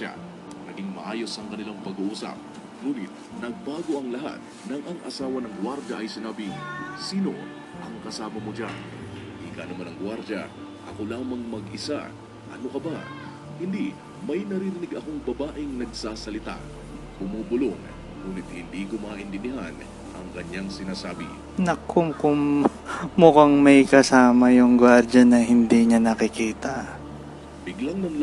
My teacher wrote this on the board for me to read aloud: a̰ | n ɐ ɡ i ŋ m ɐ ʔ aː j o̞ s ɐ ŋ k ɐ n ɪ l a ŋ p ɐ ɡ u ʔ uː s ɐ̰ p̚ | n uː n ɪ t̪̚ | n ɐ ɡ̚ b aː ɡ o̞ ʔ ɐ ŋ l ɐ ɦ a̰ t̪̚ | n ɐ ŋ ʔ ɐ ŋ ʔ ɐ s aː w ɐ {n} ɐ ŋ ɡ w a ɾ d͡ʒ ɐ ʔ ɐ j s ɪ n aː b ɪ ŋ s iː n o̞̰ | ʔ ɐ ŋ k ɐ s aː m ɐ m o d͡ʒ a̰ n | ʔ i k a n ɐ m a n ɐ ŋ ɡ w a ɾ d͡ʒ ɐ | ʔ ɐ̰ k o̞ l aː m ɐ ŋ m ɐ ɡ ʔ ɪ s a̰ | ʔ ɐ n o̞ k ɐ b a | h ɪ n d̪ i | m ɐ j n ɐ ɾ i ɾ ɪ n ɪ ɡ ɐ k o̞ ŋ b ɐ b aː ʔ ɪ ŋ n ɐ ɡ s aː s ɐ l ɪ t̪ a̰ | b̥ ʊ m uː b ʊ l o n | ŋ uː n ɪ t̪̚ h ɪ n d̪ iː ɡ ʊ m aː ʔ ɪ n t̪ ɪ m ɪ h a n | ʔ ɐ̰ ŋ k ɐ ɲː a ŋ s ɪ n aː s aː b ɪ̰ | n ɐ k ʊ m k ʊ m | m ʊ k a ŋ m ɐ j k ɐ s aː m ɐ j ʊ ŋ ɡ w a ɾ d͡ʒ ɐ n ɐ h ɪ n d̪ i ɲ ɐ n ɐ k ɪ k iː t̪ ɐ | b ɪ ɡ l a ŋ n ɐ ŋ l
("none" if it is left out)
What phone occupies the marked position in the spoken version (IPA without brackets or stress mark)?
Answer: n